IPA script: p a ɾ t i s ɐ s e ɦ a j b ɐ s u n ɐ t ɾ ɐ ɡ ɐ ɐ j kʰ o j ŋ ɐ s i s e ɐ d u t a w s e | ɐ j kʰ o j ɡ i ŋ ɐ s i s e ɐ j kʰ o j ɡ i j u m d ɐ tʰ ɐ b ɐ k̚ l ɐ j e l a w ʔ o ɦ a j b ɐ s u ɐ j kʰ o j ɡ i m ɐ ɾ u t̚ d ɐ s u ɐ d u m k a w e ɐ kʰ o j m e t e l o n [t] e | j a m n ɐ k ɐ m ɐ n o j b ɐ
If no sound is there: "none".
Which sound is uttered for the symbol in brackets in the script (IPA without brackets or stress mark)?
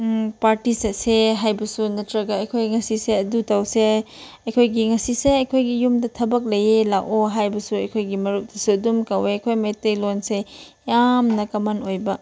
s